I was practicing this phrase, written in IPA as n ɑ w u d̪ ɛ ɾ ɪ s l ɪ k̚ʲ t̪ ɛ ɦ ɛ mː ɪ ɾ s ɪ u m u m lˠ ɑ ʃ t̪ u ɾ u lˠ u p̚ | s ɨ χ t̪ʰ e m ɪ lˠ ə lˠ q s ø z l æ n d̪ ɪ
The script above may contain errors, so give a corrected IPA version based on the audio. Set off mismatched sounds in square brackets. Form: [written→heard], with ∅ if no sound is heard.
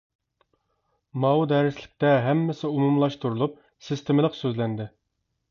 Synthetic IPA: [n→m] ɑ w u d̪ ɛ ɾ ɪ s l ɪ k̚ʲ t̪ ɛ ɦ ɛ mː ɪ [ɾ→∅] s ɪ u m u m lˠ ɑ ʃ t̪ u ɾ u lˠ u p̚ | s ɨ [χ→s] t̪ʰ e m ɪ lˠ ə [lˠ→∅] q s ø z l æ n d̪ ɪ